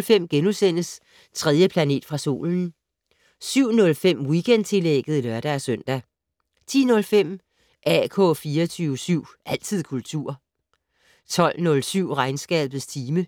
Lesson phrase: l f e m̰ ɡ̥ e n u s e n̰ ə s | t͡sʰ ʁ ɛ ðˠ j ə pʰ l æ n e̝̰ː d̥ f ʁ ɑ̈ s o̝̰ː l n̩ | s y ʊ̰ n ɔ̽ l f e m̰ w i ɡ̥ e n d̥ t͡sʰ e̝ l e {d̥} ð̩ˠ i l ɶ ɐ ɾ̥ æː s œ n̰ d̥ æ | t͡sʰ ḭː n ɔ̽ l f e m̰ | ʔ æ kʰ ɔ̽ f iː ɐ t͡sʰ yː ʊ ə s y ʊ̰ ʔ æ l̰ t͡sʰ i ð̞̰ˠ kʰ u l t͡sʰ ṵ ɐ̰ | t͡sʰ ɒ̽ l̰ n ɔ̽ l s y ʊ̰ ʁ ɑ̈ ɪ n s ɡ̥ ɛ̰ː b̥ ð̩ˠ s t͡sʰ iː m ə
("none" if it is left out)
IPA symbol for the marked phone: ɡ̥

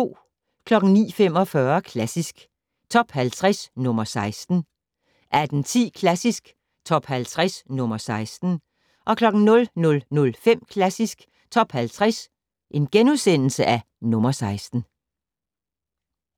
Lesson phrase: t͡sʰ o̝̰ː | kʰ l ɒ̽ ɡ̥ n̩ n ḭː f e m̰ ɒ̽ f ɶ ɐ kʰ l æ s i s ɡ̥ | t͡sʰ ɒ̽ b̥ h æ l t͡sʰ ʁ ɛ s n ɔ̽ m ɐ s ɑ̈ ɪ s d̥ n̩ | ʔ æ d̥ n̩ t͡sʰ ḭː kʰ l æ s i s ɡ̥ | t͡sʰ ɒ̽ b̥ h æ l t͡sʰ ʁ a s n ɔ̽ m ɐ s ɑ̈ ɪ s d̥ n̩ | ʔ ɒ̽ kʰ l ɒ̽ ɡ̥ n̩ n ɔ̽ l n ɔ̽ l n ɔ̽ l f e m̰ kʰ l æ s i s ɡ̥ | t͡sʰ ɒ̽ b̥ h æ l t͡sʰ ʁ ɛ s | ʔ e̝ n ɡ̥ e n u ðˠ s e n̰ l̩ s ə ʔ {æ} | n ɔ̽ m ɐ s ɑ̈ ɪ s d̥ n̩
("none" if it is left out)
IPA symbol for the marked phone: æ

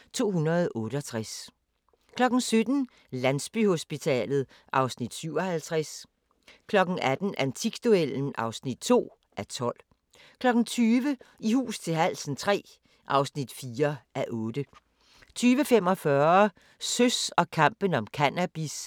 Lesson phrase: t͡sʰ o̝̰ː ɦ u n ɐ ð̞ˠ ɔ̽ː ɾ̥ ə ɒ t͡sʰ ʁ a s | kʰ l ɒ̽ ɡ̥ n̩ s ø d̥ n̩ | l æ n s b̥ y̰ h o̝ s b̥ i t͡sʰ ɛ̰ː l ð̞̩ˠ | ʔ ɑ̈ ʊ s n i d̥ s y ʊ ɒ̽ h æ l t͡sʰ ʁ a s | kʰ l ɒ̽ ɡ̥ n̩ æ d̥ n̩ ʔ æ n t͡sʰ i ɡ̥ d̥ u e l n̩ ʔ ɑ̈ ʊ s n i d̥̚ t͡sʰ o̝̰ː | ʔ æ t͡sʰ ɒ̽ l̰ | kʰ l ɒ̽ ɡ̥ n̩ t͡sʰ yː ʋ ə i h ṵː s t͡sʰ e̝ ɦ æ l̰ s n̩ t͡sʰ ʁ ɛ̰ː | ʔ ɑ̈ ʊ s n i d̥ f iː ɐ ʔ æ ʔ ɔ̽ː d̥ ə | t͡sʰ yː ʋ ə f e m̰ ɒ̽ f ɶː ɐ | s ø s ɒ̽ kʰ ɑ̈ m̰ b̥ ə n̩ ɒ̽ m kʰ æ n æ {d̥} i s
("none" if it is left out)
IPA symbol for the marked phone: b̥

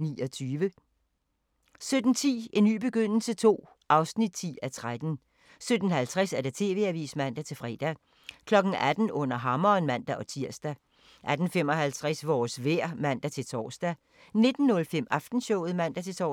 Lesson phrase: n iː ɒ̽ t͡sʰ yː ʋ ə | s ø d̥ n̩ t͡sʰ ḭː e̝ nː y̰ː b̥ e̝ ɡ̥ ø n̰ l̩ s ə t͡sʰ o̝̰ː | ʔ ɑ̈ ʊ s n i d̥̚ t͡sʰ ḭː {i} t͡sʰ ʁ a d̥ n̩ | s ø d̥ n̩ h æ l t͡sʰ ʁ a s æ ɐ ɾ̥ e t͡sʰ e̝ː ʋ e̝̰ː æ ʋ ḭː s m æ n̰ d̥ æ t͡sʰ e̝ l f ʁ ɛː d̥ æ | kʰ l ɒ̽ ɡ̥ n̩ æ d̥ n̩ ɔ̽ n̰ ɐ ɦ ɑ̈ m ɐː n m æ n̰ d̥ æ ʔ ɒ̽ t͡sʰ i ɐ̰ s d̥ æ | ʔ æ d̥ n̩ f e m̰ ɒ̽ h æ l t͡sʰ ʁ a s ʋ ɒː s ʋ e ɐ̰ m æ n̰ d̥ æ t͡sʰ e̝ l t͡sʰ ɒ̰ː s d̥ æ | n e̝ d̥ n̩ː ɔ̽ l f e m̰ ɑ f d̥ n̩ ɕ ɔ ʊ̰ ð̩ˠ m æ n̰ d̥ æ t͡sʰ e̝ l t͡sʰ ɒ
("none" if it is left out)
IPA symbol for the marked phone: æ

